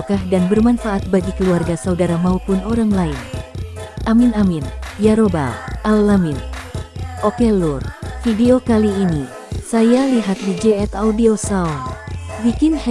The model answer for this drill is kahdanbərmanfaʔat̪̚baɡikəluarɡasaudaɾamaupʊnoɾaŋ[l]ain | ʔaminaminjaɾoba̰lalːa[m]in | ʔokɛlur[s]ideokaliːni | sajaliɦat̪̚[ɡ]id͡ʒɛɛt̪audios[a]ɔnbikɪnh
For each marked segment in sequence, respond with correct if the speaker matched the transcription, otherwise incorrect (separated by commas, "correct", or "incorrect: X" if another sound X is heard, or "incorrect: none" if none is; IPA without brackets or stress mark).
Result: correct, correct, incorrect: f, incorrect: d, correct